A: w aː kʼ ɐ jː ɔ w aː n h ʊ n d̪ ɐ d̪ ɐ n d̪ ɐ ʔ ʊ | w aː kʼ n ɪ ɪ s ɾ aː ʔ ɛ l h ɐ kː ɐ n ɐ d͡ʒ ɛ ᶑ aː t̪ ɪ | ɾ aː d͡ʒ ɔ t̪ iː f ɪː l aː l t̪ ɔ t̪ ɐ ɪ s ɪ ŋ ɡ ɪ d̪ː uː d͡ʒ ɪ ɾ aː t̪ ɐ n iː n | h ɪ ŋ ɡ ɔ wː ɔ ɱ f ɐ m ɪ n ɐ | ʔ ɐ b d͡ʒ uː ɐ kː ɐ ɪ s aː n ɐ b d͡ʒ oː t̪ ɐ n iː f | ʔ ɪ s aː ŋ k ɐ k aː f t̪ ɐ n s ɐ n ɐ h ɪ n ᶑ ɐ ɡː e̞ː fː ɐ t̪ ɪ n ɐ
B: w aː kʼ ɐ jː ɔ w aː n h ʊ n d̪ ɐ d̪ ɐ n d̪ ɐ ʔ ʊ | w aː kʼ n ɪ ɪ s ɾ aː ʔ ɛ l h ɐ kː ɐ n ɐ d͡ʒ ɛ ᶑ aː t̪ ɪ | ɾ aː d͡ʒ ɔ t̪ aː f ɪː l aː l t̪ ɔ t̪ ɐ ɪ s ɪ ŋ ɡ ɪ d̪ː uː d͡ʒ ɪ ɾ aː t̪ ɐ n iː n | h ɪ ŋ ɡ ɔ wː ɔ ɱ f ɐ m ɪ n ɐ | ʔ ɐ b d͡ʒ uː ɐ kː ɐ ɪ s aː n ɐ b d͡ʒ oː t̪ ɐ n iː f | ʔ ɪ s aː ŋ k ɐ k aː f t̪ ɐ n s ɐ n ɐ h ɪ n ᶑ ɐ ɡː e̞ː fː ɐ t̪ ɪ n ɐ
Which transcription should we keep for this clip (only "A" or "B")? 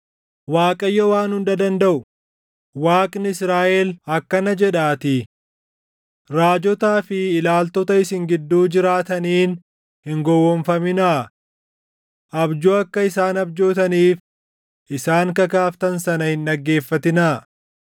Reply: B